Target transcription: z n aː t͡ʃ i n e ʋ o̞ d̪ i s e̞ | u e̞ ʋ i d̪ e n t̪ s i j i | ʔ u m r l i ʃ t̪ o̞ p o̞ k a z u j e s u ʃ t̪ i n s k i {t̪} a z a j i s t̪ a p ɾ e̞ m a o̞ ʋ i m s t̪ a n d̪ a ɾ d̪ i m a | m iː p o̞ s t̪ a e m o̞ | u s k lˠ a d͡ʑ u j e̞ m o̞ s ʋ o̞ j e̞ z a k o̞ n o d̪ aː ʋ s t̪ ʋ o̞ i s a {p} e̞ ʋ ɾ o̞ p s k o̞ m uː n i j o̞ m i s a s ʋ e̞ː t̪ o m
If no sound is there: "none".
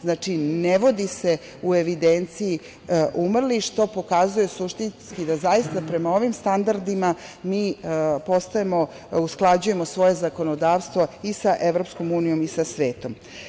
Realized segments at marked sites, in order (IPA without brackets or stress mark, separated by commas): d̪, ʔ